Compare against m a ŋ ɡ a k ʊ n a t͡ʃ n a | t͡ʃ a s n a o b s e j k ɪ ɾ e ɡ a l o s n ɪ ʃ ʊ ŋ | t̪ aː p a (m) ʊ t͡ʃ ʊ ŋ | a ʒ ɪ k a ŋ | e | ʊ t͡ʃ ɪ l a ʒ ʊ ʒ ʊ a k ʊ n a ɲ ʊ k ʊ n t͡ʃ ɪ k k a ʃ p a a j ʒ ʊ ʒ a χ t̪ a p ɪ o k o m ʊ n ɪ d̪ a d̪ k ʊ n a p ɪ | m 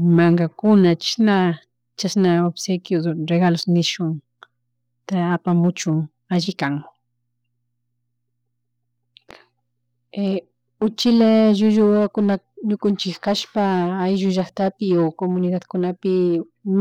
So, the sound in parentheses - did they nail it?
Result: yes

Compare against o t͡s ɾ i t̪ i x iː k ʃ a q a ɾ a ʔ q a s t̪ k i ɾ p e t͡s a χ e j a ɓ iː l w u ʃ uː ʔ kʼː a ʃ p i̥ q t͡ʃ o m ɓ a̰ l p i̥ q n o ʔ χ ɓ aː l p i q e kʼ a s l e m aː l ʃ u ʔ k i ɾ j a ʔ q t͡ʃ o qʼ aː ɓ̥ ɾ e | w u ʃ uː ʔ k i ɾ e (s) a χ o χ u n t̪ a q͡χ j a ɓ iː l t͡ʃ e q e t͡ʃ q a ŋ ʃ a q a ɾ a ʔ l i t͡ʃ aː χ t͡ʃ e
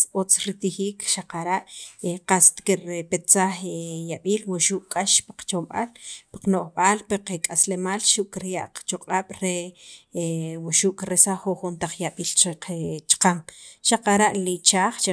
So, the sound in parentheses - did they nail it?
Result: yes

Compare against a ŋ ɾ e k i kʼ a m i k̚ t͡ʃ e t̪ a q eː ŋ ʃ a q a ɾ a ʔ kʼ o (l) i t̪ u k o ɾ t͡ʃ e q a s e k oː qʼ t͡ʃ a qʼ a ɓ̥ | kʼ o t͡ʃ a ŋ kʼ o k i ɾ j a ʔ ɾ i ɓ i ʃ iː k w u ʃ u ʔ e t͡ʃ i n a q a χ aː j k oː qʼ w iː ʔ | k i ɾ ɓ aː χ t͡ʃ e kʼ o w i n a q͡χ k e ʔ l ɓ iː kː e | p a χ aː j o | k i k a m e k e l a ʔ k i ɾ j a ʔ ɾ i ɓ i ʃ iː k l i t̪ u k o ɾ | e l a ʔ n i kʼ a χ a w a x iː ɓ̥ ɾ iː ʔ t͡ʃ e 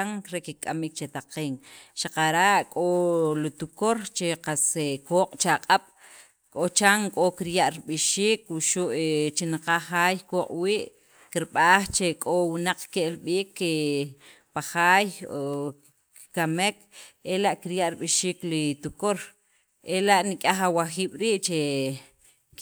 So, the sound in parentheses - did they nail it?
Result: yes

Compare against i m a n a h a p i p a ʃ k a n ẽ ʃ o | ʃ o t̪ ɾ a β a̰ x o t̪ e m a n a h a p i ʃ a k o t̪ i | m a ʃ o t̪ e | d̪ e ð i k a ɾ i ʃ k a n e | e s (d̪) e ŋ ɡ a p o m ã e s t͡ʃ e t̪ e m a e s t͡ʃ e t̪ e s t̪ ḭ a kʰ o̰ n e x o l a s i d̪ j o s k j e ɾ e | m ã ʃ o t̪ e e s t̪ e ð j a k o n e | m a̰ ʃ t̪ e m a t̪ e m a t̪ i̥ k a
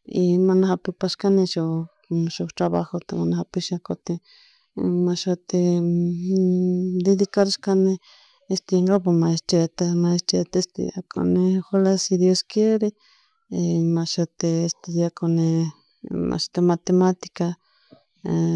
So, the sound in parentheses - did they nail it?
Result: no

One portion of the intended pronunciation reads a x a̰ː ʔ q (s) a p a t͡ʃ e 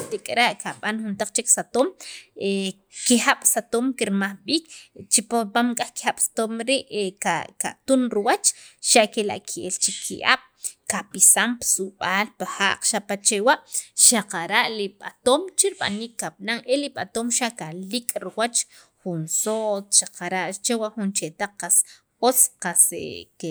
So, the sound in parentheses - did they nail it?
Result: no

